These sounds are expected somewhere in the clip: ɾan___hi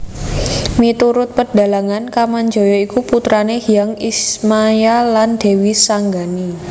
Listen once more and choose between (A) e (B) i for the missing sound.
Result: A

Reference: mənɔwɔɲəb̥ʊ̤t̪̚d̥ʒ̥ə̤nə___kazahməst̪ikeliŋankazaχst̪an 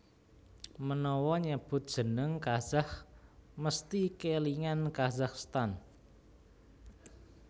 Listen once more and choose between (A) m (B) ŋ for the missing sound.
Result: B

